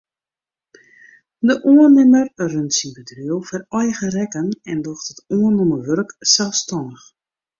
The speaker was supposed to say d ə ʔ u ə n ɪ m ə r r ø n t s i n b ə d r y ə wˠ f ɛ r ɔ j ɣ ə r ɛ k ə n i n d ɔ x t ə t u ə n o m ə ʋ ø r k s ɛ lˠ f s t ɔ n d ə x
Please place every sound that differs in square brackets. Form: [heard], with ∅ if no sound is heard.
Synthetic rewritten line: d ə ʔ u ə n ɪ m ə r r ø n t s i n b ə d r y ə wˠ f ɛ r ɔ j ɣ ə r ɛ k ə n [ɛ] n d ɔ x t ə t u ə n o m ə ʋ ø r k s ɛ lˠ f s t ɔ n d ə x